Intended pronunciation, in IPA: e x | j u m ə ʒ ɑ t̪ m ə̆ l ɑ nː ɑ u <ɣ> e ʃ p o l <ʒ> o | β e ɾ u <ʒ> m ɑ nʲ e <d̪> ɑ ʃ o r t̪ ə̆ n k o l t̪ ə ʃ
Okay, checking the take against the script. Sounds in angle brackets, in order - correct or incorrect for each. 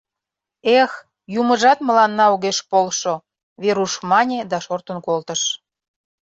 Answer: correct, incorrect: ʃ, incorrect: ʃ, correct

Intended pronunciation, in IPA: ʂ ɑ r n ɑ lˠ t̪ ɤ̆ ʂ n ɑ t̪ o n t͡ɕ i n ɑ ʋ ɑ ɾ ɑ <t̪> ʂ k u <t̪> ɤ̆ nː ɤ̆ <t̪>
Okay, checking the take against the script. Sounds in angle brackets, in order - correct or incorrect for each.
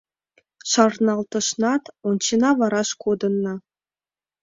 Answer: incorrect: none, incorrect: d̪, incorrect: none

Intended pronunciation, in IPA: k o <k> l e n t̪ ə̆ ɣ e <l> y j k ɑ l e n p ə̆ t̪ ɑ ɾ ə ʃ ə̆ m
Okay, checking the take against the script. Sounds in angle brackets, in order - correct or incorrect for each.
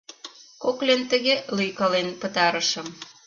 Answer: correct, correct

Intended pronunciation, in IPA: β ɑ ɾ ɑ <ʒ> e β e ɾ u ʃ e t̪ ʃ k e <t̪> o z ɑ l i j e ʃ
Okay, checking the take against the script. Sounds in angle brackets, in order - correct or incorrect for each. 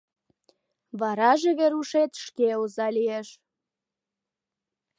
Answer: correct, incorrect: none

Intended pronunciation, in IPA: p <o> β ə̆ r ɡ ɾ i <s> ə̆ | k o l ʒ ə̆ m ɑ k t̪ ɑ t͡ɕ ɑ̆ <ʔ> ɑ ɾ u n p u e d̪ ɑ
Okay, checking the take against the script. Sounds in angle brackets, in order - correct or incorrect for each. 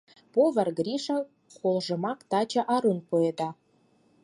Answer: correct, incorrect: ʃ, correct

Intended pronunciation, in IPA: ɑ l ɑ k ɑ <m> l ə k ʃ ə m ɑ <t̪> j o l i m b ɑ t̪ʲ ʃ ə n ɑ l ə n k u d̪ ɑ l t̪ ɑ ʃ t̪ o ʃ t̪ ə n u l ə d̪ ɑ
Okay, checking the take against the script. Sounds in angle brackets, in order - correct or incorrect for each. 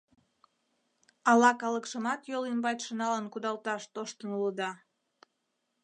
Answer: incorrect: none, correct

